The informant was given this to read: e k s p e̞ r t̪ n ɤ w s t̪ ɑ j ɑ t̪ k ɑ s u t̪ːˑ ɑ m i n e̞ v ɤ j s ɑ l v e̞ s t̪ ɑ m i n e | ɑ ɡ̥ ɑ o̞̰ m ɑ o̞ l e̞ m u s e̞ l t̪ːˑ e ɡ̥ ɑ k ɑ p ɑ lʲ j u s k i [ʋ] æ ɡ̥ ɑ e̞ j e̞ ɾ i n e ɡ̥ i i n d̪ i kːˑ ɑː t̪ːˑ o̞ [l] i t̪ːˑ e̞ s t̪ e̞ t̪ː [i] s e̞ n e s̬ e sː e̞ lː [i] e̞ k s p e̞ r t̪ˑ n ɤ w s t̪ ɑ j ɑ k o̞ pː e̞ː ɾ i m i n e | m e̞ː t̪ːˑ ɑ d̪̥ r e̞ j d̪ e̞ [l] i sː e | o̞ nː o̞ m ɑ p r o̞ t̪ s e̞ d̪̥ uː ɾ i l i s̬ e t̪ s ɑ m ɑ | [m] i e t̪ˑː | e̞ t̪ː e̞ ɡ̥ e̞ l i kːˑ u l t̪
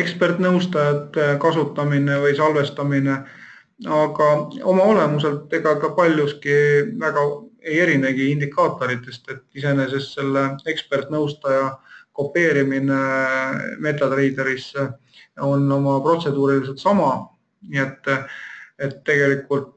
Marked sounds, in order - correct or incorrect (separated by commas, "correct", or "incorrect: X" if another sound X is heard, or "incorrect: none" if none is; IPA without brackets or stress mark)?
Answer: incorrect: v, incorrect: ɾ, correct, incorrect: e, incorrect: ɾ, incorrect: n